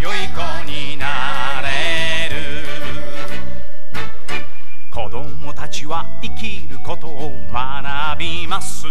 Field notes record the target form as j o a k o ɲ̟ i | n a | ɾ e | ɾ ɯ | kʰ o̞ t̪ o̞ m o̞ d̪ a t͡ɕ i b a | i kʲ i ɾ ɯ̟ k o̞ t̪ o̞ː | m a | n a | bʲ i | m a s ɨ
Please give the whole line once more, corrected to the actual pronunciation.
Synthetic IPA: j o i k o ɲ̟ i | n a | ɾ e | ɾ ɯ | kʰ o̞ d̪ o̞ m o̞ t̪ a t͡ɕ i β a | i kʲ i ɾ ɯ̟ k o̞ t̪ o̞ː | m a | n a | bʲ i | m a s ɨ